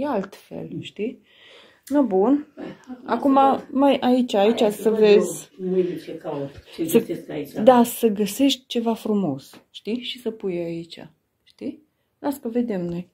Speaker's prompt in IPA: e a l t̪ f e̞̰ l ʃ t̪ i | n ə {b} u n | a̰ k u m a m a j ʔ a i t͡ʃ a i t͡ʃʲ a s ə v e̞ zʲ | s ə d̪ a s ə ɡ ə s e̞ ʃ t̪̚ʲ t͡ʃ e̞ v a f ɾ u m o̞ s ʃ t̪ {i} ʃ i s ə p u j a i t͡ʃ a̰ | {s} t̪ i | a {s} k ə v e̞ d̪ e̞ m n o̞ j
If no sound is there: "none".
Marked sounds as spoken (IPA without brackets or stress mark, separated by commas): b, i, ʃ, s